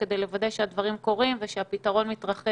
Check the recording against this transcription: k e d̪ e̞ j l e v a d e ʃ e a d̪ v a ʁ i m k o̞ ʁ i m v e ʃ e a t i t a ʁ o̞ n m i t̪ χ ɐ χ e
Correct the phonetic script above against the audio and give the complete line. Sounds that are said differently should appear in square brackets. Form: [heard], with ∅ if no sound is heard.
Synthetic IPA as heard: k e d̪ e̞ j l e v a d e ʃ e a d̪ v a ʁ i m k o̞ ʁ i m v e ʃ e a [p] i t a ʁ o̞ n m i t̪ [ʁ] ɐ χ e